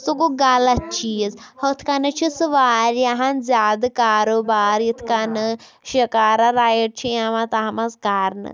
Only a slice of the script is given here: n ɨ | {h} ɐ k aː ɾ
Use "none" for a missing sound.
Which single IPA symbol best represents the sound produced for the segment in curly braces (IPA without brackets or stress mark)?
ʃ